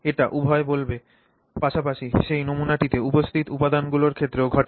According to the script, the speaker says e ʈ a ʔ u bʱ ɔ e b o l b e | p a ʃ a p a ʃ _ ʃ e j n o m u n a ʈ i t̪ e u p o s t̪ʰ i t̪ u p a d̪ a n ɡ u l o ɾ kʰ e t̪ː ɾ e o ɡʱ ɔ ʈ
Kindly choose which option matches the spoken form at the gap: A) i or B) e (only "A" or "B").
A